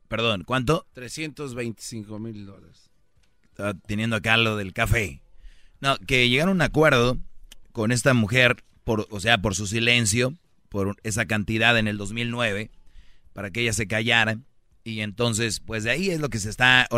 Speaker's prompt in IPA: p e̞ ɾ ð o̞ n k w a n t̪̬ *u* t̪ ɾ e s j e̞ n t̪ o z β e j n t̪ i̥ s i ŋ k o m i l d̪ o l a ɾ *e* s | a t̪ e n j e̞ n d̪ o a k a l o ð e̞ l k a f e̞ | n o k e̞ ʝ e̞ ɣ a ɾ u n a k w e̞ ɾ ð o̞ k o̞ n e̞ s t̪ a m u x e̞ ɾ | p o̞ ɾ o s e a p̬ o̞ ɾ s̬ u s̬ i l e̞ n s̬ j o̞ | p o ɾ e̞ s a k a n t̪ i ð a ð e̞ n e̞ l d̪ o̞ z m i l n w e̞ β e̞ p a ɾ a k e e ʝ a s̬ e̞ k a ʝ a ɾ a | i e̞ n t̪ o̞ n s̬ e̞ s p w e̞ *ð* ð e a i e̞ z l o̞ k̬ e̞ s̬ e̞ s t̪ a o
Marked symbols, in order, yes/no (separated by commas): no, yes, no